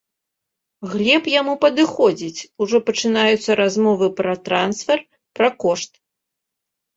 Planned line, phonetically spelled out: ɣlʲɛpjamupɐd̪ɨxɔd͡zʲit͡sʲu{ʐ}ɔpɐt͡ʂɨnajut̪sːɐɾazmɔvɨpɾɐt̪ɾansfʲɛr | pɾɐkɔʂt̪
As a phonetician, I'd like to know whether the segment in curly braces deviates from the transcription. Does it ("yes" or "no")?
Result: no